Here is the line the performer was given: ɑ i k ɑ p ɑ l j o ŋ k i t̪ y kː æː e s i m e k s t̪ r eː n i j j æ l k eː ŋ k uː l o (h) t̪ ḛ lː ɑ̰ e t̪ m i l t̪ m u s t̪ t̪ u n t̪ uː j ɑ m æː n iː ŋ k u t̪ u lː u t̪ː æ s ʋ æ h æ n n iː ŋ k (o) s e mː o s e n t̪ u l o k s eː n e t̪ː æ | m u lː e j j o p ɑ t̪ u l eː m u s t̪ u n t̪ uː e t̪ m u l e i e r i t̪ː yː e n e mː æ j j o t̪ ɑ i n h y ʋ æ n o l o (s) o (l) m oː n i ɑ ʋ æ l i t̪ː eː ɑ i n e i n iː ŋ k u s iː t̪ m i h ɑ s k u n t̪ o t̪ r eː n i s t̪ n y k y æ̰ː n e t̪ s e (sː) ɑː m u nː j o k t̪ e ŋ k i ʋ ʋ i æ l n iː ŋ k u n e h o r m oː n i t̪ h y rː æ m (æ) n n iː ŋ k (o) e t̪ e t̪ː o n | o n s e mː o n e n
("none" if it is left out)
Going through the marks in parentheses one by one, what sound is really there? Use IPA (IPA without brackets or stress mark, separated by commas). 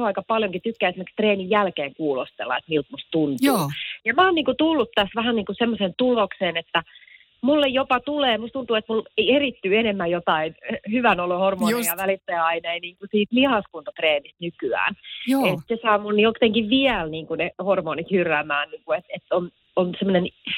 s, u, h, r, s, æː, u